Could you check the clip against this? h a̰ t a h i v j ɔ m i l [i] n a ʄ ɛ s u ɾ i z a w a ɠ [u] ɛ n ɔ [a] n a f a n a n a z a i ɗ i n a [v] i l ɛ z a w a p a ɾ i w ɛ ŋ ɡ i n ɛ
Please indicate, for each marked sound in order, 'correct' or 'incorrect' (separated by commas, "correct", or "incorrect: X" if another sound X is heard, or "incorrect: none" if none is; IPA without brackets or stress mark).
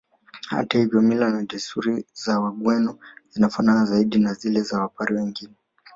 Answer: incorrect: a, incorrect: w, incorrect: i, incorrect: z